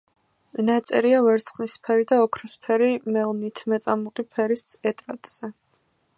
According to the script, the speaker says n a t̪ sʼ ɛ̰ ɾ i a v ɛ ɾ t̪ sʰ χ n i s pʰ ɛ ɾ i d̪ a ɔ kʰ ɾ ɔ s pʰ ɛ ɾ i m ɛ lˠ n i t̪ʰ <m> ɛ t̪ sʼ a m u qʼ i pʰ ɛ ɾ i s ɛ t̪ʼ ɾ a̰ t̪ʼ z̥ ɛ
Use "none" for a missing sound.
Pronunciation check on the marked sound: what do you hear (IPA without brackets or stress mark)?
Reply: m